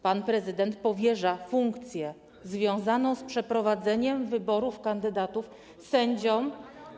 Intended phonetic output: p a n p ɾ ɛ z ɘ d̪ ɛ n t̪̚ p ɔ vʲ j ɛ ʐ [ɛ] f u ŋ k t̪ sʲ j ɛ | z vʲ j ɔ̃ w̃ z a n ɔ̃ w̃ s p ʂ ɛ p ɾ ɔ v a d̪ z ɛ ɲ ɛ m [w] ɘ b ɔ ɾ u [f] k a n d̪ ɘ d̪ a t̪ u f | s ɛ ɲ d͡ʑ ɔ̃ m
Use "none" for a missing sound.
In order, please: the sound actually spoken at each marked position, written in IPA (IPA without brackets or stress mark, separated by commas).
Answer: a, v, f